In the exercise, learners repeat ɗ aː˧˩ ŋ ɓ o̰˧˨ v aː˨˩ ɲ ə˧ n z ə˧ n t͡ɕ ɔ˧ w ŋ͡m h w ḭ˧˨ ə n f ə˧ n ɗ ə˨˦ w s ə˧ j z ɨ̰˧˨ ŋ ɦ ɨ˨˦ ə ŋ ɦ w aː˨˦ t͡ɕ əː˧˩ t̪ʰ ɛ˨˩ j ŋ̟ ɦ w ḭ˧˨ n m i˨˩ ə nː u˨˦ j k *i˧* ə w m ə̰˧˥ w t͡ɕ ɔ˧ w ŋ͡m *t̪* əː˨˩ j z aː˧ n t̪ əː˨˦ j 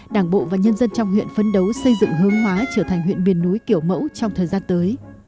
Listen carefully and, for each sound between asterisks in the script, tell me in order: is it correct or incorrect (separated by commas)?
incorrect, incorrect